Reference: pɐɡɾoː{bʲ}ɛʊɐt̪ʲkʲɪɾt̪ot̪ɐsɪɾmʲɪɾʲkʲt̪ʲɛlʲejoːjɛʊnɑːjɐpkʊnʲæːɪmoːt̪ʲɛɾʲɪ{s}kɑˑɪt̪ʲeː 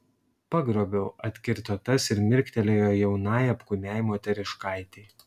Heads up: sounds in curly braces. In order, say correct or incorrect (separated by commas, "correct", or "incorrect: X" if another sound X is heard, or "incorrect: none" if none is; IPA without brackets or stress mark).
correct, incorrect: ʃ